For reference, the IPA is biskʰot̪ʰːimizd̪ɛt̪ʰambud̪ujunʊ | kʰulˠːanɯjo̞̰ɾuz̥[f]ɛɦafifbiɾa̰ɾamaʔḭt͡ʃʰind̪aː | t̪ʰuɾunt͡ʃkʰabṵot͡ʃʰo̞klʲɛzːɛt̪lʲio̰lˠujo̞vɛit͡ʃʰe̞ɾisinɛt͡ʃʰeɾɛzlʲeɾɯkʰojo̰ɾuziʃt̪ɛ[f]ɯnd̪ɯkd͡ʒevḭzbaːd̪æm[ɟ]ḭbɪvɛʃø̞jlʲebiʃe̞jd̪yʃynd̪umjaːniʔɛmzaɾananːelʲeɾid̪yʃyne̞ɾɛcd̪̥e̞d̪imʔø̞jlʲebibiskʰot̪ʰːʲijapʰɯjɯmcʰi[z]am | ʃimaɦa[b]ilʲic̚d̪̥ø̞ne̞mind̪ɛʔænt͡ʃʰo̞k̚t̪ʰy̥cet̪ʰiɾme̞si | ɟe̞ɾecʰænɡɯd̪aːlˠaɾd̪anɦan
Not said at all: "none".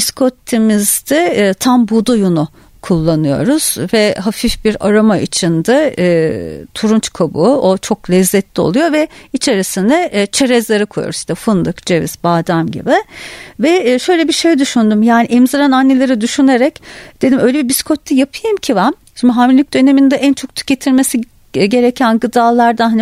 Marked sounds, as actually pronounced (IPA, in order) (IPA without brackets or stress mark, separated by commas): v, f, ɟ, v, m